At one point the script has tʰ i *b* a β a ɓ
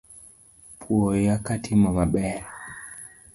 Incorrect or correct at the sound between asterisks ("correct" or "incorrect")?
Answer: incorrect